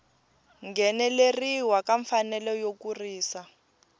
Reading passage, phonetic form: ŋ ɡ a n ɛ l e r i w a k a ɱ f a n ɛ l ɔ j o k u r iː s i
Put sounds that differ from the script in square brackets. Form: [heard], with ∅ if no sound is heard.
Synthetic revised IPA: ŋ ɡ [ɛ] n ɛ l e r i w a k a ɱ f a n ɛ l ɔ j o k u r iː s [a]